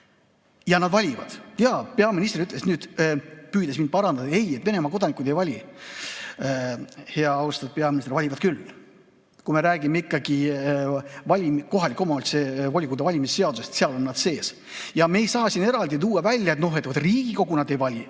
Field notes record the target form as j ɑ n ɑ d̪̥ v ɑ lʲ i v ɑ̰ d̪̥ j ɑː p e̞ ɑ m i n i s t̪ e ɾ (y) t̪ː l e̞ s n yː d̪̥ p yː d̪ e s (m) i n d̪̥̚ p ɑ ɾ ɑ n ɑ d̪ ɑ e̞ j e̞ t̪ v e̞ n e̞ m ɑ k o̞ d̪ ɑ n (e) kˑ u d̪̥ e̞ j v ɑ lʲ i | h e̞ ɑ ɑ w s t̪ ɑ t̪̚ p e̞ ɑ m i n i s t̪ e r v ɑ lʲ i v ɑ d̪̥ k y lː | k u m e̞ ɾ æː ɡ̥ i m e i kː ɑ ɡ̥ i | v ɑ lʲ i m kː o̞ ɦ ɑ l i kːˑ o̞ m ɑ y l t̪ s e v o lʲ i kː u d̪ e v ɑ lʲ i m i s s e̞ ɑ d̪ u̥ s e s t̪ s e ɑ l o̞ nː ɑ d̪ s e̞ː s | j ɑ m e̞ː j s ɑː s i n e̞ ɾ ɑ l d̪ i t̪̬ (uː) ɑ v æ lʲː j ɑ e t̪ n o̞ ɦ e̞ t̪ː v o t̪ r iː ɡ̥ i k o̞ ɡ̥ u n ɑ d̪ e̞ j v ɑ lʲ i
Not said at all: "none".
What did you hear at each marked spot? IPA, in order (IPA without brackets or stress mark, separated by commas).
y, m, i, uː